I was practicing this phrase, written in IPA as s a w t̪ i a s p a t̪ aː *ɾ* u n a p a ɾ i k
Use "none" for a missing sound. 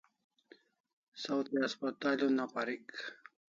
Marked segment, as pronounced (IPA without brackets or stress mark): l